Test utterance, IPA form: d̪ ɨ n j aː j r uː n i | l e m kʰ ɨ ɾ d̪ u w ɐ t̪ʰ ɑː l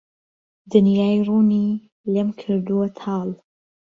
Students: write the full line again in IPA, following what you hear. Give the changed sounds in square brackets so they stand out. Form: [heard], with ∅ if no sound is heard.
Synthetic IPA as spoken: d̪ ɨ n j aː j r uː n i | l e m kʰ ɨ ɾ d̪ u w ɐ t̪ʰ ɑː l